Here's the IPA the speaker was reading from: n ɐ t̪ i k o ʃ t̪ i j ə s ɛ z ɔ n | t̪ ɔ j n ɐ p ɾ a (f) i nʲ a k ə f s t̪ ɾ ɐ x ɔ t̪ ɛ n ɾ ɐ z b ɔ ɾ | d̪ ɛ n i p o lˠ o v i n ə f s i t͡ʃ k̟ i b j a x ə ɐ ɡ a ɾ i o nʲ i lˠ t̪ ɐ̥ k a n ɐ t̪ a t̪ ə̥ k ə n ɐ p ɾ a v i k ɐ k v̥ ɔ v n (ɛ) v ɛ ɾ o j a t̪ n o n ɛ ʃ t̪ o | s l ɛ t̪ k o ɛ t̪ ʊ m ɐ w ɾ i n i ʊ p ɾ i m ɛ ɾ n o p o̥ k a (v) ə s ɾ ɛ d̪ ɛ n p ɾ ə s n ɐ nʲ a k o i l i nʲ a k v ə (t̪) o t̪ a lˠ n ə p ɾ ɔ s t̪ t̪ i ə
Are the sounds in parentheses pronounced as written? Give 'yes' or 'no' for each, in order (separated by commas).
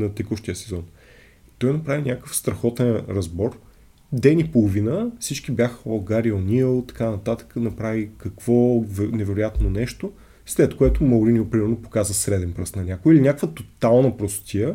no, yes, no, yes